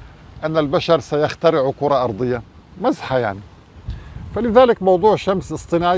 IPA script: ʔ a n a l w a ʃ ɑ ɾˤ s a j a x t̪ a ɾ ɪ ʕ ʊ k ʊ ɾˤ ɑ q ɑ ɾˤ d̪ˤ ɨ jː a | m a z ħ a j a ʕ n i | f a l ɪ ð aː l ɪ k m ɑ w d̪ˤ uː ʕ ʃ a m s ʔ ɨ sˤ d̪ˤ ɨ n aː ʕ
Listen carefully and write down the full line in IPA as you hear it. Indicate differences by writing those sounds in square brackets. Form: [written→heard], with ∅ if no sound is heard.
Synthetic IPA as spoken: ʔ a [n→nː] a l [w→b] a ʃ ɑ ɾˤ s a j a x t̪ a ɾ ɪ ʕ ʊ k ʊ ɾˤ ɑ [q→ʔ] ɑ ɾˤ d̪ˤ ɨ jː a | m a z ħ a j a ʕ n i | f a l ɪ ð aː l ɪ k m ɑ w d̪ˤ uː ʕ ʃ a m s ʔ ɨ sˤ [d̪ˤ→t̪ˤ] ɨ n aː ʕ